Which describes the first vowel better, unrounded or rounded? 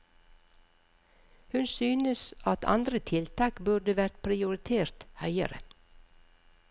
rounded